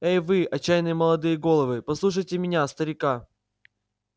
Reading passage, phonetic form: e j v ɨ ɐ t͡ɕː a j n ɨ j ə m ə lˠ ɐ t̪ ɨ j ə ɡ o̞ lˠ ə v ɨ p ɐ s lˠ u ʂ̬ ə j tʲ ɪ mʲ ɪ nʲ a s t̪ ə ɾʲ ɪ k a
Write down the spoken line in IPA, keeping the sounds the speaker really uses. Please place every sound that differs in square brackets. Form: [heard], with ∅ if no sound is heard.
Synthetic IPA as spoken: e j v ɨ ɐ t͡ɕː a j n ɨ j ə m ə lˠ ɐ [d̪] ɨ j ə ɡ o̞ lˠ ə v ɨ p ɐ s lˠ u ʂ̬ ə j tʲ ɪ mʲ ɪ nʲ a s t̪ ə ɾʲ ɪ k a

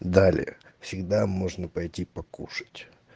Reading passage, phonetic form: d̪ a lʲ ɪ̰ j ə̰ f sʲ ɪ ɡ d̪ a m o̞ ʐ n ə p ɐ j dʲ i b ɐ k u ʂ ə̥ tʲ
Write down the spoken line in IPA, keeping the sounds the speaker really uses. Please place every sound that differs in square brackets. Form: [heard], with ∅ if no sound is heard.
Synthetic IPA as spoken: d̪ a lʲ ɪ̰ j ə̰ f sʲ ɪ ɡ d̪ a m o̞ ʐ n ə p ɐ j [tʲ] i [p] ɐ k u ʂ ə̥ tʲ

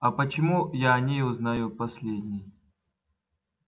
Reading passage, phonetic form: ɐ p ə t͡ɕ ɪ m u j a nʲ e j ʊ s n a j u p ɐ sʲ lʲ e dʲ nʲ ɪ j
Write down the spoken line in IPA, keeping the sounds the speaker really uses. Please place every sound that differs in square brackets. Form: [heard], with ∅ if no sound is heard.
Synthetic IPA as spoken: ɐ p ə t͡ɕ ɪ m u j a nʲ e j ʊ [z] n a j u p ɐ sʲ lʲ e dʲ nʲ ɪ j

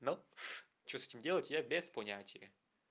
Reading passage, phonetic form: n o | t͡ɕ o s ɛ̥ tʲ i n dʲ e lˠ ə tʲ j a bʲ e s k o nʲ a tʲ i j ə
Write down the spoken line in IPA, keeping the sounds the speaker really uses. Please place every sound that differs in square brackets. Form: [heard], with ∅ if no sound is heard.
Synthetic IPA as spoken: n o | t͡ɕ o s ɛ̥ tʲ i [m] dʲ e lˠ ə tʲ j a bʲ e s [p] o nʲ a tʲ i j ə

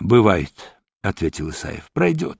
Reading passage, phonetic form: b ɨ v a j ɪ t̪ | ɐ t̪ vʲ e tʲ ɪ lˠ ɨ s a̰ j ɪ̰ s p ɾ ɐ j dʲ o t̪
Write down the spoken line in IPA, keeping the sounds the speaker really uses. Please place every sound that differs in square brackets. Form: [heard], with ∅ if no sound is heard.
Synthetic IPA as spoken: b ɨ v a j ɪ t̪ | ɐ t̪ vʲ e tʲ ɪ lˠ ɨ s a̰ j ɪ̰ [f] p ɾ ɐ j dʲ o t̪

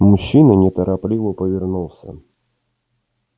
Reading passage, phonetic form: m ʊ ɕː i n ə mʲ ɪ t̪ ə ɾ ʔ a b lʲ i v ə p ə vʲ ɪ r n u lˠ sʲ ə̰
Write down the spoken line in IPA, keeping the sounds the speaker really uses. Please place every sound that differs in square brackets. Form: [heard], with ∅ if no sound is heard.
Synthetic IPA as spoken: m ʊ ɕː i n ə [nʲ] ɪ t̪ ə ɾ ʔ a [p] lʲ i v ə p ə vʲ ɪ r n u lˠ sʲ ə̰

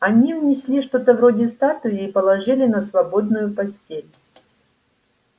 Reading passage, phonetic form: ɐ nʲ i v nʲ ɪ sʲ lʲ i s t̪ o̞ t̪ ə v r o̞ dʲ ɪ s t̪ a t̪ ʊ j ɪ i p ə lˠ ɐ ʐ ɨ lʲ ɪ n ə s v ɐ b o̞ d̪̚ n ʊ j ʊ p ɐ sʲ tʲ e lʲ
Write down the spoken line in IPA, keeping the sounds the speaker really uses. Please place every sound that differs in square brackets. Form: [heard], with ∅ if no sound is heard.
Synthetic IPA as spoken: ɐ nʲ i v nʲ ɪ sʲ lʲ i [ʂ] t̪ o̞ t̪ ə v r o̞ dʲ ɪ s t̪ a t̪ ʊ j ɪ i p ə lˠ ɐ ʐ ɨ lʲ ɪ n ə s v ɐ b o̞ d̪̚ n ʊ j ʊ p ɐ sʲ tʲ e lʲ

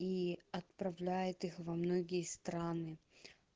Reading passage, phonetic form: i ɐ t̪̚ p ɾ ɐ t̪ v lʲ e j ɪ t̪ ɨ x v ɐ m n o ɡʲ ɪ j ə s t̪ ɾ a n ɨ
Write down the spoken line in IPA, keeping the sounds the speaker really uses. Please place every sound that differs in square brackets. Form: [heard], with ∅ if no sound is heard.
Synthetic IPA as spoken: i ɐ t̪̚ p ɾ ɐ [∅] v lʲ [æ] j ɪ t̪ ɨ x v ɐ m n o ɡʲ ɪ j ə s t̪ ɾ a n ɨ

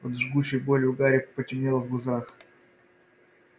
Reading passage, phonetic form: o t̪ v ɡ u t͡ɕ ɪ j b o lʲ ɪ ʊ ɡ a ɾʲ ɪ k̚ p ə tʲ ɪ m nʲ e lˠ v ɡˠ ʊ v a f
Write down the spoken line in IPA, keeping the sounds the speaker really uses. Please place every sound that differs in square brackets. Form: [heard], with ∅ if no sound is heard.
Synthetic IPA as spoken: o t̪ [ʐ] ɡ u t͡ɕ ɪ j b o lʲ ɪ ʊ ɡ a ɾʲ ɪ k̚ p ə tʲ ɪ m nʲ e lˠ v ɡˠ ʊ [z] a [x]

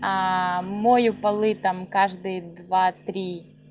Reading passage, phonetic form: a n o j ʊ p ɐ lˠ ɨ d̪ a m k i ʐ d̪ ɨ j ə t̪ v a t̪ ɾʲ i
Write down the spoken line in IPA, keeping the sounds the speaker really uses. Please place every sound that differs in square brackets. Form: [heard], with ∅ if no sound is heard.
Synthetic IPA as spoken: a [m] o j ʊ p ɐ lˠ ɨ [t̪] a m k [a] ʐ d̪ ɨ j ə [d̪] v a t̪ ɾʲ i

